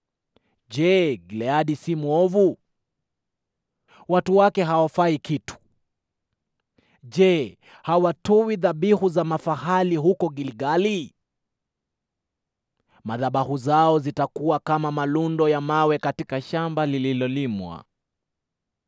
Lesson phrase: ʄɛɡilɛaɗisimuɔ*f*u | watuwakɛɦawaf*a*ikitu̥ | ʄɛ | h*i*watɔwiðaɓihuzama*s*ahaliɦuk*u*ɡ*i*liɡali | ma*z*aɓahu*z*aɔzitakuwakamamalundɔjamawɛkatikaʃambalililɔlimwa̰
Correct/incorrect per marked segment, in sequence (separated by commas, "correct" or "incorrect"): incorrect, correct, incorrect, incorrect, incorrect, correct, incorrect, correct